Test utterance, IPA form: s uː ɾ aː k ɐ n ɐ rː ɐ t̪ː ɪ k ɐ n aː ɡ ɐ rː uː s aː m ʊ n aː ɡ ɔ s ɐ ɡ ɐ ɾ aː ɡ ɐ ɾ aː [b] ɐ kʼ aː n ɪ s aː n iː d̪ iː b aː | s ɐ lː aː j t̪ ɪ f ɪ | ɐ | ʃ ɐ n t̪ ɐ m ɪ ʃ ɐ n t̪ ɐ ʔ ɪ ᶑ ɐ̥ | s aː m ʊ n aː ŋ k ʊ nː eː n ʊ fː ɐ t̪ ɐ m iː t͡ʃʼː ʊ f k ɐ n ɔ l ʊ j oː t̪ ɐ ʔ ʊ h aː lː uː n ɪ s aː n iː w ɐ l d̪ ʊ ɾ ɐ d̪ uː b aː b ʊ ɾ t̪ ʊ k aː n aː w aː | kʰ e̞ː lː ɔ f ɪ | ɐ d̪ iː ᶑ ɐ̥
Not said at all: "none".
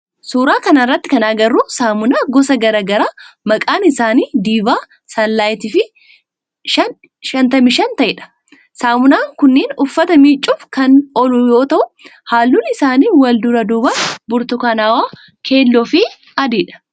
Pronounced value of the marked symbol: m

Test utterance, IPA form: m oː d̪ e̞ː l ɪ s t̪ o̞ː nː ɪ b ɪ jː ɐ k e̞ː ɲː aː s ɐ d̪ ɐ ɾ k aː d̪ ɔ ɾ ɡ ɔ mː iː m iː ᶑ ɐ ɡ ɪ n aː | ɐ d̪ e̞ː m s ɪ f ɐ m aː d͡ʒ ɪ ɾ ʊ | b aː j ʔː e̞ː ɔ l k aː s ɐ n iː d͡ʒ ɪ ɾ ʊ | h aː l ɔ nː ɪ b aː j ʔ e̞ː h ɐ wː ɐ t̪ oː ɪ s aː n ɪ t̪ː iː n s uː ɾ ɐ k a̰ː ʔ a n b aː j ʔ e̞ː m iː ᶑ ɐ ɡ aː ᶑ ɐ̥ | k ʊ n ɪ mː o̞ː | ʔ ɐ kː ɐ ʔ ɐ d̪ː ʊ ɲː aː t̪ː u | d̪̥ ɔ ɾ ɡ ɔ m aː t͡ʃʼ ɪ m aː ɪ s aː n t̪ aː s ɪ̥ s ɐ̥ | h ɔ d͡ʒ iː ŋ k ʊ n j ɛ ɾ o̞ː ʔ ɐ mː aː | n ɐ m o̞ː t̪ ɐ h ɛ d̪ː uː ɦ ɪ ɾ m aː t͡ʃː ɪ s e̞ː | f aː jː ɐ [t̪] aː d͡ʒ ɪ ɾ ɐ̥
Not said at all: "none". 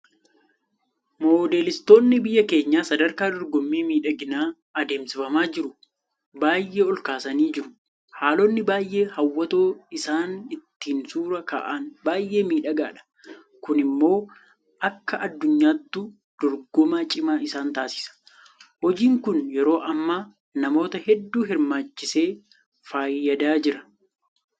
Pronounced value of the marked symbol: d̪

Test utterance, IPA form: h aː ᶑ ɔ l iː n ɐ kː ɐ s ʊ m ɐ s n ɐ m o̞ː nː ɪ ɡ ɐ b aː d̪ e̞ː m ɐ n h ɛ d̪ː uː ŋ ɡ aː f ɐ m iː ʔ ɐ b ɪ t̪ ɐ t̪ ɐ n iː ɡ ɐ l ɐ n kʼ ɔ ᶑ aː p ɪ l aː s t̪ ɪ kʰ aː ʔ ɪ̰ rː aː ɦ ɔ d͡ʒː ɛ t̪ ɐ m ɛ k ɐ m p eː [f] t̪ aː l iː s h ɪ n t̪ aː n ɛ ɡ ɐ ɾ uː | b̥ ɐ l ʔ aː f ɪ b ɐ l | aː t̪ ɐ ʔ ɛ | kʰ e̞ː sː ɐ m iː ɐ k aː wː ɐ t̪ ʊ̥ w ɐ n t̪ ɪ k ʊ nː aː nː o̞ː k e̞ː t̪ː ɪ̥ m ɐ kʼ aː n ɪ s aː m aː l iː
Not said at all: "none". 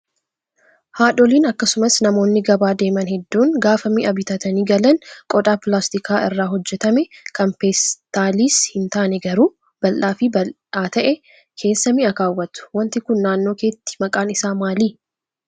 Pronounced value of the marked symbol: s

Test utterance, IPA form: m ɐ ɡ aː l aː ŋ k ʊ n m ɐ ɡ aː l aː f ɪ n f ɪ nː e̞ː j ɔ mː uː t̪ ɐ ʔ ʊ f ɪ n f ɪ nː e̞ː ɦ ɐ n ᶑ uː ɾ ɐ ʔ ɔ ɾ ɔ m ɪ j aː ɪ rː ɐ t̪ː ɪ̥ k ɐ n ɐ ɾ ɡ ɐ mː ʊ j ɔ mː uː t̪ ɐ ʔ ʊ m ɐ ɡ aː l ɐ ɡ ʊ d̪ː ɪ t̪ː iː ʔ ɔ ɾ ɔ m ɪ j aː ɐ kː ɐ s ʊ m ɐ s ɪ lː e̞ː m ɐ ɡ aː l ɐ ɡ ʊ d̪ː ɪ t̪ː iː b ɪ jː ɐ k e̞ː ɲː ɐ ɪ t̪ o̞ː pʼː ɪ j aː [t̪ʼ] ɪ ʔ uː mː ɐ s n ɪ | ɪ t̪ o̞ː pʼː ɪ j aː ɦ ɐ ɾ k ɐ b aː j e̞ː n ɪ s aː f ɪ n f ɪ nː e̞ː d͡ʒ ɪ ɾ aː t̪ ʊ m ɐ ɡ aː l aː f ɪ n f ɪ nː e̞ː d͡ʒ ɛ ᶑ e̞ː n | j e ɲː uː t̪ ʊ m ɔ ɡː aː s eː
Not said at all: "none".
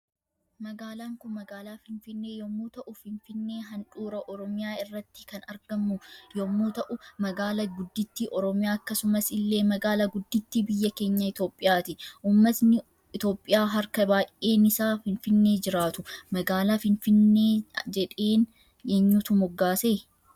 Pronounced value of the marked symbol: t̪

